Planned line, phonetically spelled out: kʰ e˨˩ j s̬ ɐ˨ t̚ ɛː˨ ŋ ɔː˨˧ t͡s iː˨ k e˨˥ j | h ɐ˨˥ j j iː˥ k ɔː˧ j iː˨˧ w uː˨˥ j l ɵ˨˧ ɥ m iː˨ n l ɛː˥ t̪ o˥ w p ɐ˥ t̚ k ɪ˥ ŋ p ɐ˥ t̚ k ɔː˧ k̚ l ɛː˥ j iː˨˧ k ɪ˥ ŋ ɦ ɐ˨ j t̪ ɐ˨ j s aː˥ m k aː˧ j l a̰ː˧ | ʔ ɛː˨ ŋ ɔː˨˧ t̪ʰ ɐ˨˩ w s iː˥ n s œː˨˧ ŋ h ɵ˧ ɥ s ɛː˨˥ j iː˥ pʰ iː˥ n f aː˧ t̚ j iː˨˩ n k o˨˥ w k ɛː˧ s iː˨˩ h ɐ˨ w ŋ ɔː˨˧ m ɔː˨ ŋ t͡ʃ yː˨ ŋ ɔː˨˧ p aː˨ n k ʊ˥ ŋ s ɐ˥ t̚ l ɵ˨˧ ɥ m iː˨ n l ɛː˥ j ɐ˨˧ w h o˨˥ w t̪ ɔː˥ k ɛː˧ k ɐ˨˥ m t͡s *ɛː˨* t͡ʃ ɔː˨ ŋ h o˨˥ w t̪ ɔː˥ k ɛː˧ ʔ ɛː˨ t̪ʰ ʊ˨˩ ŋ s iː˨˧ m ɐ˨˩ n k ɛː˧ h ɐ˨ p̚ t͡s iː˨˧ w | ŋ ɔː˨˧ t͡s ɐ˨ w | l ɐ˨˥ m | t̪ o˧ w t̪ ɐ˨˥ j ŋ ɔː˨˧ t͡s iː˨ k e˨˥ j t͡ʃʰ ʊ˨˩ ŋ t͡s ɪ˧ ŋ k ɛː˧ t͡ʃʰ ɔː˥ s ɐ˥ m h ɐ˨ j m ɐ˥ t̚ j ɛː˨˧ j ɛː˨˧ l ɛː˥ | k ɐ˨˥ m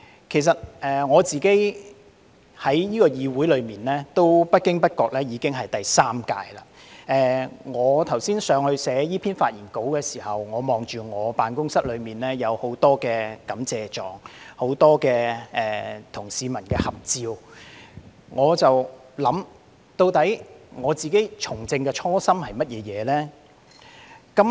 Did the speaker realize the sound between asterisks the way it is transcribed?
yes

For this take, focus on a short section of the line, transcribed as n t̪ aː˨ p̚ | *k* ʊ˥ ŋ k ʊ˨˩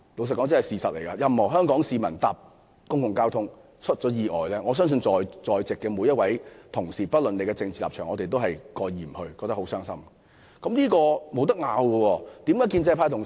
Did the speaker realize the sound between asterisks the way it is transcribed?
yes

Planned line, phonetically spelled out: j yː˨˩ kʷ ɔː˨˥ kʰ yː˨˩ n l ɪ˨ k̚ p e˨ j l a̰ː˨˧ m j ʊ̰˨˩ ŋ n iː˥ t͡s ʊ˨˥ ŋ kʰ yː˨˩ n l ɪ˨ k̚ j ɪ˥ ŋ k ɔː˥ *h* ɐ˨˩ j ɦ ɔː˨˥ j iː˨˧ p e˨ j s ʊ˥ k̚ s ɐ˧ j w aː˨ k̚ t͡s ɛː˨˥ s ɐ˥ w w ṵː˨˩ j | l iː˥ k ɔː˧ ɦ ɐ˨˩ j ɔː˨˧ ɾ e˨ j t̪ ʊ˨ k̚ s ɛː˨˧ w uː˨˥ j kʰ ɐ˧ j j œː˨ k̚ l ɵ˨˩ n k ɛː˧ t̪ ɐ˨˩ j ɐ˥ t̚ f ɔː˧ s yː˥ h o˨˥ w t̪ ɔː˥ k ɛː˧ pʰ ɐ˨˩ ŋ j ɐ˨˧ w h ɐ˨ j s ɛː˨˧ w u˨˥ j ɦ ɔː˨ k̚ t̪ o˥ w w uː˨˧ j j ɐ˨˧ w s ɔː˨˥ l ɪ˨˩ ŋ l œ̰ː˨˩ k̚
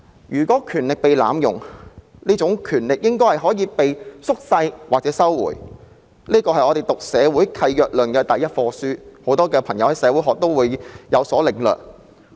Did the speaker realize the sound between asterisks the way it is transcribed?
yes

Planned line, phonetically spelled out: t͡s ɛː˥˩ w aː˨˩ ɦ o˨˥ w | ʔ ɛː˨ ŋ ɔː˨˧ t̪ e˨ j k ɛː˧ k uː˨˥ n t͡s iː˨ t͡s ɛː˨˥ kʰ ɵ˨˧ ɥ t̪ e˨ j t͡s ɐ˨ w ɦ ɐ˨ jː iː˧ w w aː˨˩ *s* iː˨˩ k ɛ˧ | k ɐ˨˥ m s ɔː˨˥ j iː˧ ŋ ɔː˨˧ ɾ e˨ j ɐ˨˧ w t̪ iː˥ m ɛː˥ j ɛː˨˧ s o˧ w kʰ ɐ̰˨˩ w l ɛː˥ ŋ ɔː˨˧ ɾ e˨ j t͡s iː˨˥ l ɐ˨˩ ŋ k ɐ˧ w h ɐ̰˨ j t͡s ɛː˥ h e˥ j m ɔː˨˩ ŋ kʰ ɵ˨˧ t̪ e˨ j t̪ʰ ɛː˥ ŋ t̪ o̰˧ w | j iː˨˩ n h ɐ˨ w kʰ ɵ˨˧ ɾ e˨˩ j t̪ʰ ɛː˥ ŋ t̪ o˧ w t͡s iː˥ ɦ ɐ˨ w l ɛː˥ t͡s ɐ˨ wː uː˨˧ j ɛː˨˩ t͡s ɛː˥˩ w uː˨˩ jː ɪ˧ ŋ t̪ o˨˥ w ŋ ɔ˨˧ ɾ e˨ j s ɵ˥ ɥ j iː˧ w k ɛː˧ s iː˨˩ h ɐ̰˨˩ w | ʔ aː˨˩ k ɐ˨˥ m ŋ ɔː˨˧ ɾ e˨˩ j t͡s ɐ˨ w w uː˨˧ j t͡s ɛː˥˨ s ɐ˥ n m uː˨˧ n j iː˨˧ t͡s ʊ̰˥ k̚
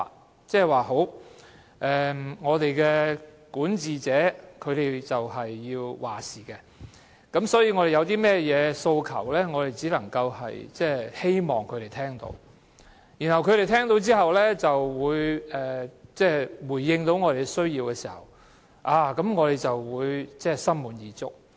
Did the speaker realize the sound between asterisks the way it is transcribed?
yes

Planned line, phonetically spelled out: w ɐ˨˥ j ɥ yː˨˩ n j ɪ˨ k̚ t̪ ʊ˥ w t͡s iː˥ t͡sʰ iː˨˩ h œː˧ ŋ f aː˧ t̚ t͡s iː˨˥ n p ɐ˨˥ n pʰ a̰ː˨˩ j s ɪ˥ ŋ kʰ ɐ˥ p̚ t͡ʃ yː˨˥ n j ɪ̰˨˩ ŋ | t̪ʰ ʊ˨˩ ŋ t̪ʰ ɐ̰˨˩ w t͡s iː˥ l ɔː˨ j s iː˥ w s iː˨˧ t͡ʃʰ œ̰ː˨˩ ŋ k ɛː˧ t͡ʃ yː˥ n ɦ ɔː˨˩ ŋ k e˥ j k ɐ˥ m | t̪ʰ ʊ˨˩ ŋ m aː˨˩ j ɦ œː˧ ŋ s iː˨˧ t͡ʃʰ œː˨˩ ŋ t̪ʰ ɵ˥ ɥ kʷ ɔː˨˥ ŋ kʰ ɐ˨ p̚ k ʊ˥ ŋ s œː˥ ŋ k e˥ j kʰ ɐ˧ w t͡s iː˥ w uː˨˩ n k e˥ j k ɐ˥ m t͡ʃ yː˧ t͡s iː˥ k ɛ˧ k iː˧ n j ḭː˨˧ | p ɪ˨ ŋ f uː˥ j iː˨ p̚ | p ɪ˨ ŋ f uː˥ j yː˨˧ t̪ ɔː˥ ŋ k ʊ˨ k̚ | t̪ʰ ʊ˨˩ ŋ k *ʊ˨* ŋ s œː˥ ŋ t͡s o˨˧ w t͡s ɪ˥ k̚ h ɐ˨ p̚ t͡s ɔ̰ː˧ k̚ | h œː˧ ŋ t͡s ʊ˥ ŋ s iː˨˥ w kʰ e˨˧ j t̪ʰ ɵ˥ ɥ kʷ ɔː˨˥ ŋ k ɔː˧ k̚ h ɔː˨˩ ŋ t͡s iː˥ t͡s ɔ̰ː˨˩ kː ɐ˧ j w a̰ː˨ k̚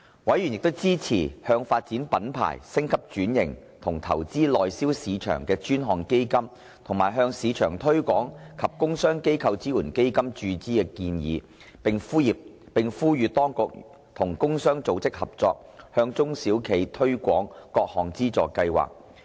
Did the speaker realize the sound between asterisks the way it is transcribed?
no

